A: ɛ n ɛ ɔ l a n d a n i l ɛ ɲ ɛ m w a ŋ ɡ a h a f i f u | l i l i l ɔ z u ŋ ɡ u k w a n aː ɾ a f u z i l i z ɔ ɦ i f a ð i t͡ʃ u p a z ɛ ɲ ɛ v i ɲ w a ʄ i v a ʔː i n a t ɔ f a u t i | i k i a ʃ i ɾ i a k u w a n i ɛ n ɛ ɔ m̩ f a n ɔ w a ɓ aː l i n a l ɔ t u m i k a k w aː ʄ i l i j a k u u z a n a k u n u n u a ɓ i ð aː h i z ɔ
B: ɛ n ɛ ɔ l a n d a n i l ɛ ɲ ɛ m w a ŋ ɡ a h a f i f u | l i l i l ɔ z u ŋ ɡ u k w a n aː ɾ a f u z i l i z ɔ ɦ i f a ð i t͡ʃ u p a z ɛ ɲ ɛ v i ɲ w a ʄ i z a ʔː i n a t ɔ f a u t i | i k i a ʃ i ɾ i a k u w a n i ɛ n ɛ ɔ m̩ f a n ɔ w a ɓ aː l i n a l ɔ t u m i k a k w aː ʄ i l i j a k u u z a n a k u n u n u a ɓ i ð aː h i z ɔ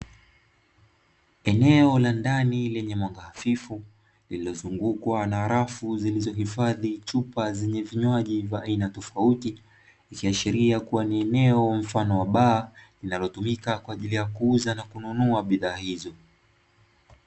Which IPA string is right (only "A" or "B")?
A